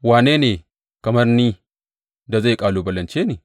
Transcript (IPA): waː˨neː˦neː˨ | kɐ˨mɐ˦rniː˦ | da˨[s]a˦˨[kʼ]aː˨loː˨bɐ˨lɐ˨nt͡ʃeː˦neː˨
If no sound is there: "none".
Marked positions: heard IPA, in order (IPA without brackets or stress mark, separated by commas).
z, kʼ